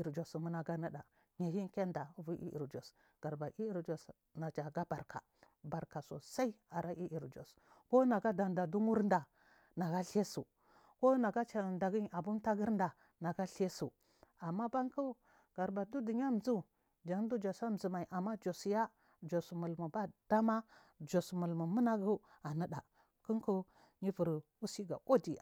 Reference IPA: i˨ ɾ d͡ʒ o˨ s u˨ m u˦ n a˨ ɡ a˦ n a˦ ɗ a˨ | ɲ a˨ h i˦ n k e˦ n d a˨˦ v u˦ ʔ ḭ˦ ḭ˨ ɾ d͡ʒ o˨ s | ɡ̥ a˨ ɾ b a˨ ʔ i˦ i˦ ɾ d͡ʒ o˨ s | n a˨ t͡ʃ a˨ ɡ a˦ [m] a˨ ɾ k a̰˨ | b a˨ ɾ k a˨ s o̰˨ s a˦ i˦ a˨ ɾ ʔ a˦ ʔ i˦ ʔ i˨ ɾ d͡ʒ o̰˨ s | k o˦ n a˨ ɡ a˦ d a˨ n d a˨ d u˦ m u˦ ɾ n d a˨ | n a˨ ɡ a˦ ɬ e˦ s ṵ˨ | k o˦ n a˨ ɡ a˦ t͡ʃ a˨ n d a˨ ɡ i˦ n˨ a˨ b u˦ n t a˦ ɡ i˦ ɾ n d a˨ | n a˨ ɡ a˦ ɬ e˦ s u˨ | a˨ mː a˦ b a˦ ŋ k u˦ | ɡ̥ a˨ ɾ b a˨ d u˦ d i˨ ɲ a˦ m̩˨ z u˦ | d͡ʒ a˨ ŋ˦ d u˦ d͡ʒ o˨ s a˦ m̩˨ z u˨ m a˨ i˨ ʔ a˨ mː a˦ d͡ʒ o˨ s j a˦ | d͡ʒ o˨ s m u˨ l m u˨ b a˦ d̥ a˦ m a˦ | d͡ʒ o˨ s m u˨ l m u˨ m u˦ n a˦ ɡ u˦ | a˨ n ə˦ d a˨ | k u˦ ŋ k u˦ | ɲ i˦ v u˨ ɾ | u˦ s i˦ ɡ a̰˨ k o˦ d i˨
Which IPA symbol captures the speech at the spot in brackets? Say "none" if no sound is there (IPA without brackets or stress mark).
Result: b